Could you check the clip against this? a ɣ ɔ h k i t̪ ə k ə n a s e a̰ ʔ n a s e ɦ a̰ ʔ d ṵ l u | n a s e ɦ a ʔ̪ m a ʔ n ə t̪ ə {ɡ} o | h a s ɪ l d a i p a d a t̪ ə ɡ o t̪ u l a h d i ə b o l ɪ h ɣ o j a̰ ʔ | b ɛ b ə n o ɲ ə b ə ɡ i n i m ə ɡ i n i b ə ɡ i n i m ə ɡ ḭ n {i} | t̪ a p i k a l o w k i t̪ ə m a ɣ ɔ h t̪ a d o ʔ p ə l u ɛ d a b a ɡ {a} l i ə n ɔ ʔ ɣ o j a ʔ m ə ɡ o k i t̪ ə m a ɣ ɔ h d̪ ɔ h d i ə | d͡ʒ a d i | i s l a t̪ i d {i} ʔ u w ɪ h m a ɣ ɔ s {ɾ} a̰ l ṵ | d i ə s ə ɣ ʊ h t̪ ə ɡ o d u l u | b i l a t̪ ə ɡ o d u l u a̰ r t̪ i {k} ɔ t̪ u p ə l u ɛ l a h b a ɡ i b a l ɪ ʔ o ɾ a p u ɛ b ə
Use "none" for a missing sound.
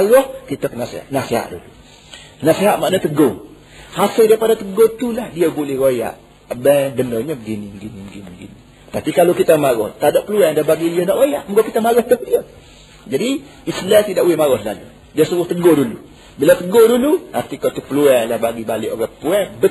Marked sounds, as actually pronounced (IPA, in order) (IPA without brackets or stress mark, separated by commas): ɡ, i, i, a, l, k